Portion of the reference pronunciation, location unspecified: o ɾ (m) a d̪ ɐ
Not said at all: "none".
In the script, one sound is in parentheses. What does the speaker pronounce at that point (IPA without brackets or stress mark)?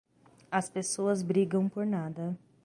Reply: n